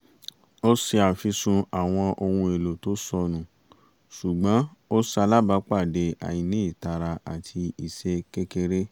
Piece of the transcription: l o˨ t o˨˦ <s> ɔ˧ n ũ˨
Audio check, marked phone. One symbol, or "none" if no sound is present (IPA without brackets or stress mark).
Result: s